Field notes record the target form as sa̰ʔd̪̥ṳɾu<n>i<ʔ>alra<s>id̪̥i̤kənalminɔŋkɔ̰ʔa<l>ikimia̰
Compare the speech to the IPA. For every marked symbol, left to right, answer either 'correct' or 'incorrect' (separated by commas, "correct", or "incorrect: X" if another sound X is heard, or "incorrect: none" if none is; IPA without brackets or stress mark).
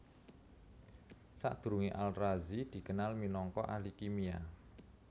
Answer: incorrect: ŋ, correct, incorrect: z, correct